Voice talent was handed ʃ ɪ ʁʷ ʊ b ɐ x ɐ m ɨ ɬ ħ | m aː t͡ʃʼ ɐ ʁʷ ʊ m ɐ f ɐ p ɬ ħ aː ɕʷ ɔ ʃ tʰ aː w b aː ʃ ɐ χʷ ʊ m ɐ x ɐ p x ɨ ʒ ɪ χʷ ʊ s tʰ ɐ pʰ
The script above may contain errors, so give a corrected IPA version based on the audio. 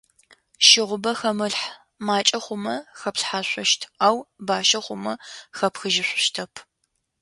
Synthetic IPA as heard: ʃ ɪ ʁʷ ʊ b ɐ x ɐ m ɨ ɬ ħ | m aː t͡ʃʼ ɐ χʷ ʊ m ɐ x ɐ p ɬ ħ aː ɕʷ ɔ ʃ tʰ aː w b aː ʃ ɐ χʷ ʊ m ɐ x ɐ p x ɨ ʒ ɪ ɕʷ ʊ ʃ tʰ ɐ pʰ